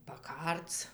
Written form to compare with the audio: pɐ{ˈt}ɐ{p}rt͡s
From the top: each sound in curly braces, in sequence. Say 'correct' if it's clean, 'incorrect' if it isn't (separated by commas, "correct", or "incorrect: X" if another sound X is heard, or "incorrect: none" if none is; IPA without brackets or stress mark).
incorrect: k, incorrect: none